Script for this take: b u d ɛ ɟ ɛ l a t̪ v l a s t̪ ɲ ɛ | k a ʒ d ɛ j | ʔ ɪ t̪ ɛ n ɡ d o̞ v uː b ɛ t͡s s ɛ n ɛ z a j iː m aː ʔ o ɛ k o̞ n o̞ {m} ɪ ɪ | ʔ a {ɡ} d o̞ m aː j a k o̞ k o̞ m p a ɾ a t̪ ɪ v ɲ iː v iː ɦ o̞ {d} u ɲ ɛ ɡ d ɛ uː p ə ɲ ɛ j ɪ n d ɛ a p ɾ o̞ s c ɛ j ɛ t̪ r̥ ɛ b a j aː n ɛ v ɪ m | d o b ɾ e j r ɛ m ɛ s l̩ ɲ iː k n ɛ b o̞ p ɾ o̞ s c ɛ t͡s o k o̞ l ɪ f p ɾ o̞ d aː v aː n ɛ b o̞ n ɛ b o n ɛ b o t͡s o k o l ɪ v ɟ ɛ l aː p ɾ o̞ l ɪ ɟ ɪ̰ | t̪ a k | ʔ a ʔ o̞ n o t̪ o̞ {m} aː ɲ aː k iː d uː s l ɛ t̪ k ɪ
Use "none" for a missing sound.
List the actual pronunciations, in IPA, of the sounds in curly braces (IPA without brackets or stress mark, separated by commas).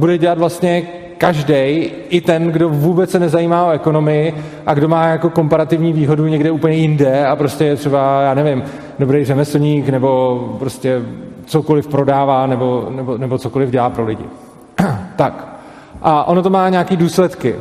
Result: m, ɡ, d, m